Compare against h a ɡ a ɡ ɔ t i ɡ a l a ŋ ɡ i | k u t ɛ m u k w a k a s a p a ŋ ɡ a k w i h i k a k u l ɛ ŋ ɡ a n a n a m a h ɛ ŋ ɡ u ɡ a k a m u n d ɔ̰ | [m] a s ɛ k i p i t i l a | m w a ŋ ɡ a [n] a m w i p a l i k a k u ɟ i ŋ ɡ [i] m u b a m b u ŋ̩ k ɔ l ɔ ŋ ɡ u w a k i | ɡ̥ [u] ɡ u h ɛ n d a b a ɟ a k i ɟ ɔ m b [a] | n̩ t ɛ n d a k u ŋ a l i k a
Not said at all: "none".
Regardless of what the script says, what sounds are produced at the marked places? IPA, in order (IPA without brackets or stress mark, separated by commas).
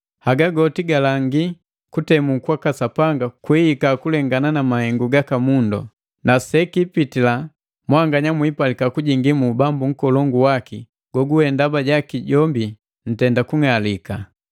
n, ɲ, i, ɔ, i